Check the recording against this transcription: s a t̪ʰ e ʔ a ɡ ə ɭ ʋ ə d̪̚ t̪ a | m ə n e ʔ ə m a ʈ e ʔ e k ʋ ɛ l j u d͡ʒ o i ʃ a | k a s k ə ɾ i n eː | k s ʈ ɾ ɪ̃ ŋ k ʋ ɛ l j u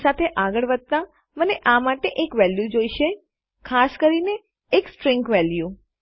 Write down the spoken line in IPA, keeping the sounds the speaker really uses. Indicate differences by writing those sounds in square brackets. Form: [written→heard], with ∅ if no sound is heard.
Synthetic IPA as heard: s a t̪ʰ e ʔ a ɡ ə ɭ ʋ ə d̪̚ t̪ a | m ə n e ʔ [ə→a] m a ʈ e ʔ e k ʋ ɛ l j u d͡ʒ o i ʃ [a→e] | [k→kʰ] a s k ə ɾ i n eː | k s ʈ ɾ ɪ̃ ŋ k ʋ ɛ l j u